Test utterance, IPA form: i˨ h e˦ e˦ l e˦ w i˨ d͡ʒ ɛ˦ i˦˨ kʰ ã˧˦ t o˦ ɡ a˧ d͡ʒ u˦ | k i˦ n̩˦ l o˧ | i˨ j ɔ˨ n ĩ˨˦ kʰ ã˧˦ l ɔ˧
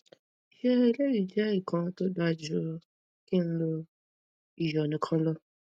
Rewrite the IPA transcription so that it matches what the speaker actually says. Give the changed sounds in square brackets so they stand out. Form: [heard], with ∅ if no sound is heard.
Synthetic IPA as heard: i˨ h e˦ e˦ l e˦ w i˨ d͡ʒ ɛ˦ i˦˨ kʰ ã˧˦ t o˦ [d] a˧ d͡ʒ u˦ | k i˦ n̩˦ l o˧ | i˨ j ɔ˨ n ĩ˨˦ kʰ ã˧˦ l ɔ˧